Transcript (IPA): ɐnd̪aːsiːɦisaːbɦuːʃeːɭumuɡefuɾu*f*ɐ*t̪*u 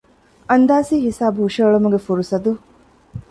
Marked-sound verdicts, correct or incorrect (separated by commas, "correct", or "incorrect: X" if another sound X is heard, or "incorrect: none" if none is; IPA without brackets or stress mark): incorrect: s, incorrect: d̪